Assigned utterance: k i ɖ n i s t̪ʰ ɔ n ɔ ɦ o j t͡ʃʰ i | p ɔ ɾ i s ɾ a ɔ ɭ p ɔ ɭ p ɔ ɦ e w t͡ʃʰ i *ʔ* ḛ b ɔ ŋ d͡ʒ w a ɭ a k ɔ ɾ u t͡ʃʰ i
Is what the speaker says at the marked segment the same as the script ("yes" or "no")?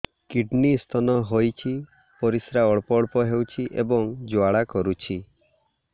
yes